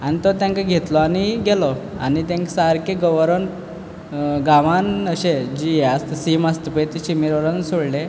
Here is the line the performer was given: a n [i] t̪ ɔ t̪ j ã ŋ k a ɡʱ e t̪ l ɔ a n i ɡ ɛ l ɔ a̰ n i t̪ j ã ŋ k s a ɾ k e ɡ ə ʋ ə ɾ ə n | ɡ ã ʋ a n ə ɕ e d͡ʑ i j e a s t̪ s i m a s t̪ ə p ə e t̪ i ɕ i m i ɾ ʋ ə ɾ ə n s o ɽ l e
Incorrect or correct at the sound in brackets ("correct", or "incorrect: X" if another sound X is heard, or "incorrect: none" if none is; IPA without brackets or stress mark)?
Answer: correct